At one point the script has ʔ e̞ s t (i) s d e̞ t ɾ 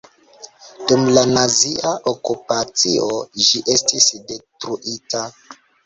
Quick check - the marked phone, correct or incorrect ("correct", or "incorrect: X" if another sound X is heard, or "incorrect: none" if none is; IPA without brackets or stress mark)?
correct